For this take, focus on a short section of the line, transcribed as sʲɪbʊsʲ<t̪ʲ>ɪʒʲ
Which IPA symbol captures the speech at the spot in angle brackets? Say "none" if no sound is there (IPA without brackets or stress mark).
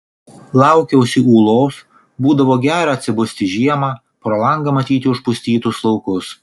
t̪ʲ